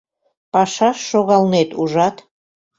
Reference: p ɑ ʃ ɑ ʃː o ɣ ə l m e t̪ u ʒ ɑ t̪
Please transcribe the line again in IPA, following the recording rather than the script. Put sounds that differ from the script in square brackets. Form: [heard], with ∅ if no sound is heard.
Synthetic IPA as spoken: p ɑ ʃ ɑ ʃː o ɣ [ɑ] l [n] e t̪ u ʒ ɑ t̪